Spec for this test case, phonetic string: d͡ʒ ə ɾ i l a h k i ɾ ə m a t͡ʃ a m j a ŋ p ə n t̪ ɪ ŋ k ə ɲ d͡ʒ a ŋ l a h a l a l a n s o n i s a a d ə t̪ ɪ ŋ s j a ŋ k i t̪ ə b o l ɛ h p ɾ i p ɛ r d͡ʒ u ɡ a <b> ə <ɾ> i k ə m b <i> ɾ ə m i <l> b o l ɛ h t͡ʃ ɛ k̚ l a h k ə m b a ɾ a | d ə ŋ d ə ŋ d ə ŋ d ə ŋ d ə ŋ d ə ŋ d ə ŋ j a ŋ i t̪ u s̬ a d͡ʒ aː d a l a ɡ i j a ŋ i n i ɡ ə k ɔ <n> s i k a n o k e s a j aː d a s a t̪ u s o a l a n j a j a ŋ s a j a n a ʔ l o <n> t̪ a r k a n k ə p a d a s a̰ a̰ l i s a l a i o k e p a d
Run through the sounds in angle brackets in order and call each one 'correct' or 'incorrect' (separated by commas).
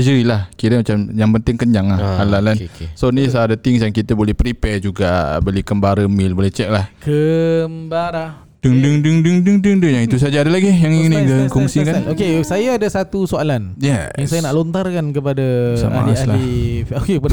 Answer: correct, incorrect, incorrect, correct, incorrect, correct